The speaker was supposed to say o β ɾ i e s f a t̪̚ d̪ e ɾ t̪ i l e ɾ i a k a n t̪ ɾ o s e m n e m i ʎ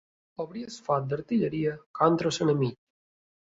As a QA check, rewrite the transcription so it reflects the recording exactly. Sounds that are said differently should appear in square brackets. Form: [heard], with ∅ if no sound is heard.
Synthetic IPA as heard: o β ɾ i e s f a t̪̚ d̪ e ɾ t̪ i [ʎ] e ɾ i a k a n t̪ ɾ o s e [∅] n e m i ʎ